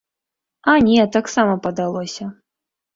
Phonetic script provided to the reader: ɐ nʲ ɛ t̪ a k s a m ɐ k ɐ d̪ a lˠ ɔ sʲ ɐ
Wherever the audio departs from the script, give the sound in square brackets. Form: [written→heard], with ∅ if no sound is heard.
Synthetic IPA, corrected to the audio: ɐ nʲ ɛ t̪ a k s a m ɐ [k→p] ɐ d̪ a lˠ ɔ sʲ ɐ